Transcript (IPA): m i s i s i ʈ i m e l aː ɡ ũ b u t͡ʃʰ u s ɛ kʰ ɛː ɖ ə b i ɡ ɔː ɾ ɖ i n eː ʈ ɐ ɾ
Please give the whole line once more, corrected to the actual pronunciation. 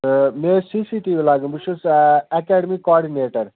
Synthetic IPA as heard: m e s i s i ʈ i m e l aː ɡ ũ b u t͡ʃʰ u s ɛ k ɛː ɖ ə m i k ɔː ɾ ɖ i n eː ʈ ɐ ɾ